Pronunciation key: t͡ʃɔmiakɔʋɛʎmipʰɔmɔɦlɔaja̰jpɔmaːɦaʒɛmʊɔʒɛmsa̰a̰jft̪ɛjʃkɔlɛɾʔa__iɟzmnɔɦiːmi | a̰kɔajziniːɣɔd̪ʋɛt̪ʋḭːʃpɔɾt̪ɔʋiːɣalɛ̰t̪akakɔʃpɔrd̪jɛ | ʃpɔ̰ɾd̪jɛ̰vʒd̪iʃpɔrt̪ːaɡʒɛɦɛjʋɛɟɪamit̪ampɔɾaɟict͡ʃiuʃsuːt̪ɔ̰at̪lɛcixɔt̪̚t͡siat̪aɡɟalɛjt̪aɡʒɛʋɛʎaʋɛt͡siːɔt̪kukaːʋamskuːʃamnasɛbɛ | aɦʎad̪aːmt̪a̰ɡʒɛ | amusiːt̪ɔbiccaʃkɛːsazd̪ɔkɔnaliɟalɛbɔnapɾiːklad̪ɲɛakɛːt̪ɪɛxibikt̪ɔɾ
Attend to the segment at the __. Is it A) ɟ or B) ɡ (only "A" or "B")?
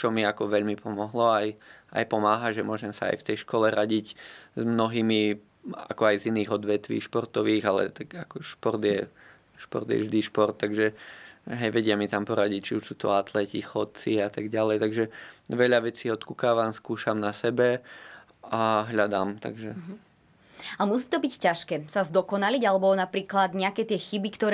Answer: A